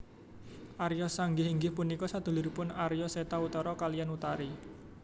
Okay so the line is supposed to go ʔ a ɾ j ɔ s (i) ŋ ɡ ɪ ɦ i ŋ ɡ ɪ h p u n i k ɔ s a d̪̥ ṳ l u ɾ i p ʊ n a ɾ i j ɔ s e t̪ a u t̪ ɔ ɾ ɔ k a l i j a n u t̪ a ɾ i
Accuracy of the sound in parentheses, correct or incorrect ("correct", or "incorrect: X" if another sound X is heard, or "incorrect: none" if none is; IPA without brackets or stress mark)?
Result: incorrect: a